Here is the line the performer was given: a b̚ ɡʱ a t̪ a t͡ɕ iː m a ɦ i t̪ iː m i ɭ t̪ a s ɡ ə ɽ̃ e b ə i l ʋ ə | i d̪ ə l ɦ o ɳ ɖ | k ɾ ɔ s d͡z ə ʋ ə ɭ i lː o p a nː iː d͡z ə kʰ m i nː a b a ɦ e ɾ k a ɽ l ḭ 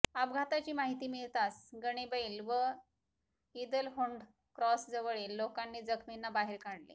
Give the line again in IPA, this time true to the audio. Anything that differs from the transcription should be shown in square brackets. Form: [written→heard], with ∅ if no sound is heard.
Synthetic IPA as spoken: a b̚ ɡʱ a t̪ a t͡ɕ iː m a ɦ i t̪ iː m i ɭ t̪ a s ɡ ə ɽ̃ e b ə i l ʋ ə | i d̪ ə l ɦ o ɳ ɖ | k ɾ ɔ s d͡z ə ʋ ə ɭ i lː o [p→k] a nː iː d͡z ə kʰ m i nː a b a ɦ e ɾ k a ɽ l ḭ